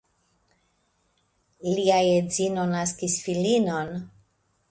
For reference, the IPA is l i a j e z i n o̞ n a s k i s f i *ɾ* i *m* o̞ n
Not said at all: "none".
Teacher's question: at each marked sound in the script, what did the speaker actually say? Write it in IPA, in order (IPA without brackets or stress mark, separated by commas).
l, n